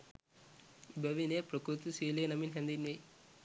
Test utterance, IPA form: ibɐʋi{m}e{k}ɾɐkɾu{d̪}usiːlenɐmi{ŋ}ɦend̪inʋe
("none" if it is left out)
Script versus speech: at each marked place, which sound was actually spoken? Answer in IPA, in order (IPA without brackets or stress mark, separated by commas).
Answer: n, p, t̪, n